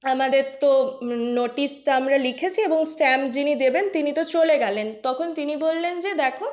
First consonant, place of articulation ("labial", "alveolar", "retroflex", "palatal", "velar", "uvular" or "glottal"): labial